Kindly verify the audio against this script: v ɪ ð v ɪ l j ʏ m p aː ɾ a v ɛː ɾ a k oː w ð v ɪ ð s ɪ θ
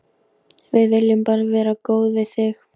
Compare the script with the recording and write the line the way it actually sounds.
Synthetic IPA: v ɪ ð v ɪ l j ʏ m p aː ɾ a v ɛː ɾ a k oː w ð v ɪ ð θ ɪ x